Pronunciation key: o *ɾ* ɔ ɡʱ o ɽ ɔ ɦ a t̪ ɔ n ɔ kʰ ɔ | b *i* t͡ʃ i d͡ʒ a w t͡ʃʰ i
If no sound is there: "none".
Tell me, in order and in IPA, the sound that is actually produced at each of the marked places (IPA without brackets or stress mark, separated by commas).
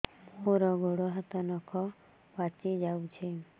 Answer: ɾ, a